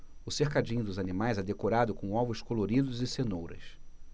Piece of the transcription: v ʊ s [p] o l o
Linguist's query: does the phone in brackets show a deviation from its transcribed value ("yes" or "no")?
yes